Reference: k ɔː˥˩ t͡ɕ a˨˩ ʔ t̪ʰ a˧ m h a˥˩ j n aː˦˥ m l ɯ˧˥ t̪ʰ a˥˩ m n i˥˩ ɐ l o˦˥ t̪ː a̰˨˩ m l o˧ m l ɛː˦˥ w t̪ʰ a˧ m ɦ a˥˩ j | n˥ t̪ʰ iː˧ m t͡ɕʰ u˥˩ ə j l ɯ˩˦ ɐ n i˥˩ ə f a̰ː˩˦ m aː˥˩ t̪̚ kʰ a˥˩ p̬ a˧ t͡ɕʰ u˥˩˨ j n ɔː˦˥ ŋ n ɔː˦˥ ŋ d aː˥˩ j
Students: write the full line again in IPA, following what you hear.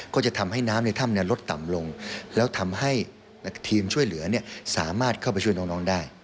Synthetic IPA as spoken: k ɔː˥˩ t͡ɕ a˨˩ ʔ t̪ʰ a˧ m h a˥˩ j n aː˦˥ m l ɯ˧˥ t̪ʰ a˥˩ m n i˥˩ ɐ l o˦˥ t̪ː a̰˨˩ m l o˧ ŋ l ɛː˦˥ w t̪ʰ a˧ m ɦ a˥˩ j | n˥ t̪ʰ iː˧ m t͡ɕʰ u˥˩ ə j l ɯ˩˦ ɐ n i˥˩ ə s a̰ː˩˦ m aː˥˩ t̪̚ kʰ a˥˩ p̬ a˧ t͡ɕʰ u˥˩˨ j n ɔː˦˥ ŋ n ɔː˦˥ ŋ d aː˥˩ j